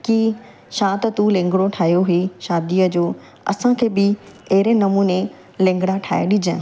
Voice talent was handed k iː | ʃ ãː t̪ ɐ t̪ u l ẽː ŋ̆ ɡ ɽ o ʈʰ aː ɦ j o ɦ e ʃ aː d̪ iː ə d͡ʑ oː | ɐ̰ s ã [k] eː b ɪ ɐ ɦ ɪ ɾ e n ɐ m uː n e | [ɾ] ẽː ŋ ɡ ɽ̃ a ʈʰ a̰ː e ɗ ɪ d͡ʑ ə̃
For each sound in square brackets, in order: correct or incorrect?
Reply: incorrect, incorrect

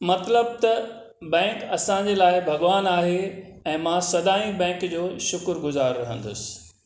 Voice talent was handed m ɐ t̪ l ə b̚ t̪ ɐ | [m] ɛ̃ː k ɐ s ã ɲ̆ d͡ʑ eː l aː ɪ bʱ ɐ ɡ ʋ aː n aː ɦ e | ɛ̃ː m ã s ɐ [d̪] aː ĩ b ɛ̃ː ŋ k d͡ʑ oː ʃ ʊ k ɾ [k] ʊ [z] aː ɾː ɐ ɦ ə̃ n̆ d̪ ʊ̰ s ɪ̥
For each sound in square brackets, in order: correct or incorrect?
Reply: incorrect, correct, incorrect, correct

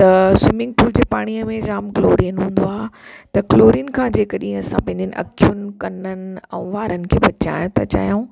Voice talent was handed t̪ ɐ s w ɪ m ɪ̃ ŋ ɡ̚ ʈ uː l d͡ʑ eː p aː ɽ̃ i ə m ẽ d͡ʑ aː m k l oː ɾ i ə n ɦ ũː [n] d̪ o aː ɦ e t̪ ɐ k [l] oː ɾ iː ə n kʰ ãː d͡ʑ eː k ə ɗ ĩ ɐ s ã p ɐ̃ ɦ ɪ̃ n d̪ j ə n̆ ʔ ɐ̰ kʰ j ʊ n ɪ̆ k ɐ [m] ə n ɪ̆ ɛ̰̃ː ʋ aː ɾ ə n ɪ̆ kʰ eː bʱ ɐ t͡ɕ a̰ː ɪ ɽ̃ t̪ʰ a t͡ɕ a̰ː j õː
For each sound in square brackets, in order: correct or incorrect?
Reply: correct, correct, incorrect

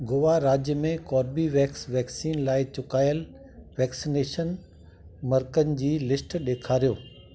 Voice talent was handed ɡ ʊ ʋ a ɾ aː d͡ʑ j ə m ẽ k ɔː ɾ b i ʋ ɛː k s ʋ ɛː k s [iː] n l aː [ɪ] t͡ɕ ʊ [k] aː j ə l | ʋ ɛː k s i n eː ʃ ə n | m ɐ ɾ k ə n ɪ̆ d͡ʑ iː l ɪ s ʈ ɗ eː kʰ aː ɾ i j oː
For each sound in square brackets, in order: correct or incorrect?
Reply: correct, correct, correct

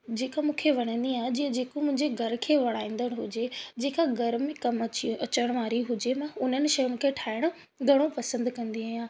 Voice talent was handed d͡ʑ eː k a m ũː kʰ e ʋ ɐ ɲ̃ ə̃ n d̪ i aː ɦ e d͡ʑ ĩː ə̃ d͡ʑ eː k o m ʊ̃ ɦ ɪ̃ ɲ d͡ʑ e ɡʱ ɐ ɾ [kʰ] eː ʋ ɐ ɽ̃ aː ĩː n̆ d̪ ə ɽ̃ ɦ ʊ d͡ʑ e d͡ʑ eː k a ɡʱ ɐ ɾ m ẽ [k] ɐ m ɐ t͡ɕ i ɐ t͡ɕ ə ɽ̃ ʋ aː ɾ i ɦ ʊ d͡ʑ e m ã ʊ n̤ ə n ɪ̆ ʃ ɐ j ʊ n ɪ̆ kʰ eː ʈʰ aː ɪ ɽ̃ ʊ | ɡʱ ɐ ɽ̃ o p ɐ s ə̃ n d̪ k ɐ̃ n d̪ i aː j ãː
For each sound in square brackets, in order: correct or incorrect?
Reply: correct, correct

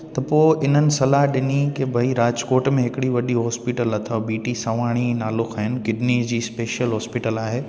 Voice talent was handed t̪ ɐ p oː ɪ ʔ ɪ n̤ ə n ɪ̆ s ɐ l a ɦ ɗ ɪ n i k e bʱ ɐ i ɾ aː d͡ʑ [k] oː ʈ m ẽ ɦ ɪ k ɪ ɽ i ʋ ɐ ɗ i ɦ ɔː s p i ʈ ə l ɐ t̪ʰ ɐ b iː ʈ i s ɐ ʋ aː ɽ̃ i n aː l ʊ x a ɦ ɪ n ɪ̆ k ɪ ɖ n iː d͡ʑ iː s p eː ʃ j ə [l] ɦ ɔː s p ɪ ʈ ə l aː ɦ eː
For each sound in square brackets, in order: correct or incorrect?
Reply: correct, correct

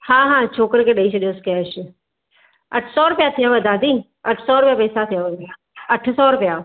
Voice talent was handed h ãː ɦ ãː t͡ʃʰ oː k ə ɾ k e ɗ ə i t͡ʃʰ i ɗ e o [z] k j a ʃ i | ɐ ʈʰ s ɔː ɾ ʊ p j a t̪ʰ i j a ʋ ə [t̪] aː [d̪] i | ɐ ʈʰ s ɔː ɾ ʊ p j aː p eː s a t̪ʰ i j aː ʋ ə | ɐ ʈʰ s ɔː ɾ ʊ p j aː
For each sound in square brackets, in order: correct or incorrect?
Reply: incorrect, incorrect, correct

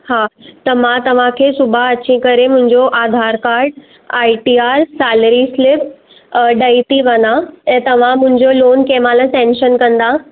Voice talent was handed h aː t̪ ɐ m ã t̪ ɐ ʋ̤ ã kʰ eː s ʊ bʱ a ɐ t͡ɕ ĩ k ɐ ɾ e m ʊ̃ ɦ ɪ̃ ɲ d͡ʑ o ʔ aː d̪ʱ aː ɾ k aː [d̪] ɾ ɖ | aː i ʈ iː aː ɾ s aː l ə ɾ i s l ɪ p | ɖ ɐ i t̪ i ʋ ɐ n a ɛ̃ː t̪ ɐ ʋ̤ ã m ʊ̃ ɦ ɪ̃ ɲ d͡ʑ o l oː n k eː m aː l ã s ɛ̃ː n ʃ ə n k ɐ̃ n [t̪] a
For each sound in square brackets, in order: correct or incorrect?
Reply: incorrect, incorrect

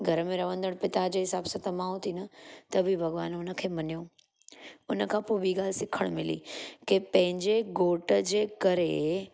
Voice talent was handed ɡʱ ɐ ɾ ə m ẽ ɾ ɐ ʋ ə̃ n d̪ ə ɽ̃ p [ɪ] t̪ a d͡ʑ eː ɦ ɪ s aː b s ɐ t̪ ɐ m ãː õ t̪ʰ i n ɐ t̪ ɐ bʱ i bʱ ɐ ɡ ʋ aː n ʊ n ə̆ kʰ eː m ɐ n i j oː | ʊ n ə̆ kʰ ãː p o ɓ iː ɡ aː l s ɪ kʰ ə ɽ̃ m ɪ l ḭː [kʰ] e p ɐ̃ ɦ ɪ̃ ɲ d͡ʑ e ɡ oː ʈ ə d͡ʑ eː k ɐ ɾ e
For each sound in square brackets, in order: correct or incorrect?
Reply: correct, incorrect

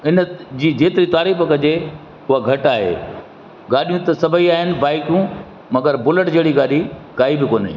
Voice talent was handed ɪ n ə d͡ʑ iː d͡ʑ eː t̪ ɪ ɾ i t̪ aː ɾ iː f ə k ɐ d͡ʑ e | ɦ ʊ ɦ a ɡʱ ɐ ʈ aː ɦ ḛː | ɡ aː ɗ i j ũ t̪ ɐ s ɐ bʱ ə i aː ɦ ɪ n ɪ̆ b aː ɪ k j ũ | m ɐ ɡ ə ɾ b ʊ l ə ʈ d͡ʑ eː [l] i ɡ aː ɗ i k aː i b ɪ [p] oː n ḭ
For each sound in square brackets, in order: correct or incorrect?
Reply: incorrect, incorrect

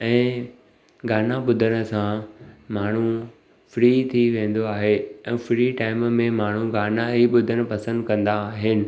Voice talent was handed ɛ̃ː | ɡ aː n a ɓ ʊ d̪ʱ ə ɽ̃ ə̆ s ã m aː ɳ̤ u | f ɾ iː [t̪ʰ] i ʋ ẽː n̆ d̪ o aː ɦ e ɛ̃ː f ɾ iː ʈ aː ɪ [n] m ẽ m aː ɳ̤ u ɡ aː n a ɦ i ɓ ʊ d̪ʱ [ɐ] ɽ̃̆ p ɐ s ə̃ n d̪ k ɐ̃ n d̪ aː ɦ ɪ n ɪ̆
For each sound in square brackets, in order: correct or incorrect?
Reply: correct, incorrect, incorrect

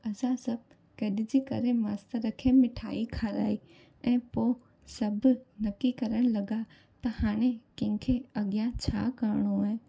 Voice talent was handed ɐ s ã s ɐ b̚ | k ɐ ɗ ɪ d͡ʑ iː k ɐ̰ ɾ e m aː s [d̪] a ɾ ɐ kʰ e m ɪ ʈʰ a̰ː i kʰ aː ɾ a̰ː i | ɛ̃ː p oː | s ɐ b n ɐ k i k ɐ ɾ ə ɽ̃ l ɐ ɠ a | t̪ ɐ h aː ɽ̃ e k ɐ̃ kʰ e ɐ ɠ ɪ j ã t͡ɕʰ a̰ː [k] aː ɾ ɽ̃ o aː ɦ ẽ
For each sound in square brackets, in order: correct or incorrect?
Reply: incorrect, correct

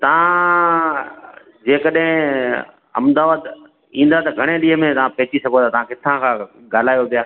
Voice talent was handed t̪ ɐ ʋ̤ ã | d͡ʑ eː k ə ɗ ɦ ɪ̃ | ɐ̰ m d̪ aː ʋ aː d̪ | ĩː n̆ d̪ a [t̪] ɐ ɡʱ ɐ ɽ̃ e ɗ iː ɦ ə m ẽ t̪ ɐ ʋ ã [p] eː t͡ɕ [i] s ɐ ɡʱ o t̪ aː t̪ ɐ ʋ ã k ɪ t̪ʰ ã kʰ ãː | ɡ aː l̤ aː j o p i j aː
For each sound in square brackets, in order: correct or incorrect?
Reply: correct, correct, correct

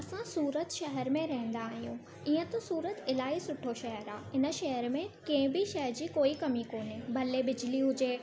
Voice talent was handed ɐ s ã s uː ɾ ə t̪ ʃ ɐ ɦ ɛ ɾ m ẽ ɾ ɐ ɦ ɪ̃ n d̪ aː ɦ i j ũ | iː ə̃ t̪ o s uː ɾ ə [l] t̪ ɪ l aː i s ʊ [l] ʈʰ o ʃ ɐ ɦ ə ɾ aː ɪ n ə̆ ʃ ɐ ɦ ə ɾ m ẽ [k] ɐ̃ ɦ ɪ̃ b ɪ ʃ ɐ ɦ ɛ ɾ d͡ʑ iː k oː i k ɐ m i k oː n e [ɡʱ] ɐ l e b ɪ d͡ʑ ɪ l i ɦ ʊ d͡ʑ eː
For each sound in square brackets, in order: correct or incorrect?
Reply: incorrect, incorrect, correct, incorrect

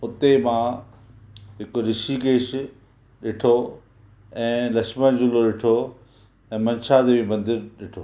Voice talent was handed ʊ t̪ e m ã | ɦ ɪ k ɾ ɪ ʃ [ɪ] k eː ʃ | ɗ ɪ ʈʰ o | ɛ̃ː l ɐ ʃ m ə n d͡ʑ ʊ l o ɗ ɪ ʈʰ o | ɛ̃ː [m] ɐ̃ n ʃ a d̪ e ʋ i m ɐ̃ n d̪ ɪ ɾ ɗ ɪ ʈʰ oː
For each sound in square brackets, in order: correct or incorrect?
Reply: incorrect, correct

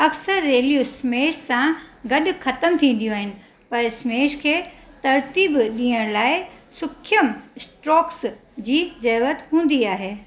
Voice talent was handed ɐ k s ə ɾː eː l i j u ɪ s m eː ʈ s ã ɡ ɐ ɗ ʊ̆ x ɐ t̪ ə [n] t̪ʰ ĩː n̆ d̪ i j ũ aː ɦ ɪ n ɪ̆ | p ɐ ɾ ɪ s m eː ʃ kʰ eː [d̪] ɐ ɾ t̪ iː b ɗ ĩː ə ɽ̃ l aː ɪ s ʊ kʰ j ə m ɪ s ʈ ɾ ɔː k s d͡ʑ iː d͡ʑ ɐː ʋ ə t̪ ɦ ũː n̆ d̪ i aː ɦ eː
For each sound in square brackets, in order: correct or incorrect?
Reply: incorrect, incorrect

